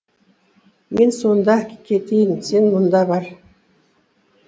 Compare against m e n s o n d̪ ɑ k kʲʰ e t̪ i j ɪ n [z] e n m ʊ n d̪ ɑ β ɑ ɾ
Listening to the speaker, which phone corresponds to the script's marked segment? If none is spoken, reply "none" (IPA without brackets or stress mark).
s